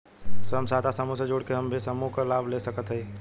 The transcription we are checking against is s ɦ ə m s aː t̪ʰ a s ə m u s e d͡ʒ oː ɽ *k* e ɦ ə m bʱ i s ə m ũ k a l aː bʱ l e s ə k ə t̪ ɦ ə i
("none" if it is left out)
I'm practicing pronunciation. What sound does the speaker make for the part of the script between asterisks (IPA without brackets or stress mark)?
k